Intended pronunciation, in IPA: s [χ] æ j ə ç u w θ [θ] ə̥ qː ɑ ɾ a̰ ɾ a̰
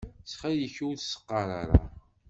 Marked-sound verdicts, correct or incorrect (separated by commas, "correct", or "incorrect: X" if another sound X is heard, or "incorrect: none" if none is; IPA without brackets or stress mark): correct, incorrect: s